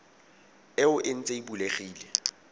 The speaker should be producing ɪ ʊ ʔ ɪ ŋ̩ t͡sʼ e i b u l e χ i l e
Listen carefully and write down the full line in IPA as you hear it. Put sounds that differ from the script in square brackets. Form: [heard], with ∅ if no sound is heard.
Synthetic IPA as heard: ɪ ʊ ʔ ɪ [n̩] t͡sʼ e i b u l e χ [iː] l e